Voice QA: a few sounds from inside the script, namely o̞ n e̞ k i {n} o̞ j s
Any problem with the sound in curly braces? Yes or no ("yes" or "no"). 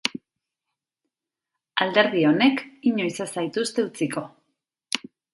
yes